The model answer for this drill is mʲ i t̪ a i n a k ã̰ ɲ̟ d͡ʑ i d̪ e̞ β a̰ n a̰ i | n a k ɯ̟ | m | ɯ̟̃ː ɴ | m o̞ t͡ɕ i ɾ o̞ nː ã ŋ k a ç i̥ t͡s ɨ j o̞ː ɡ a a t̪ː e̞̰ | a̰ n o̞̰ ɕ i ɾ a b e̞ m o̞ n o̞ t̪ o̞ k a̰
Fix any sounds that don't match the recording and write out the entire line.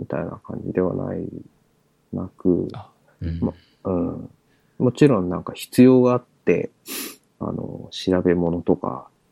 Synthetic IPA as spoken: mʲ i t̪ a i n a k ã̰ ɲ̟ d͡ʑ i d̪ e̞ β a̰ n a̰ i | n a k ɯ̟ | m | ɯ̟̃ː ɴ | m o̞ t͡ɕ i ɾ õ̞ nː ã ŋ k a ç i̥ t͡s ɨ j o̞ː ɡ a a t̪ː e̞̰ | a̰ n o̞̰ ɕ i ɾ a b e̞ m o̞ n o̞ t̪ o̞ k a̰